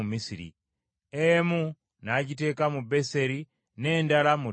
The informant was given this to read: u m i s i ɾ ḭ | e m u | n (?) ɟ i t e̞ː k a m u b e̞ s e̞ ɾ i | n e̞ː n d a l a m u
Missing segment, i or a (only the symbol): a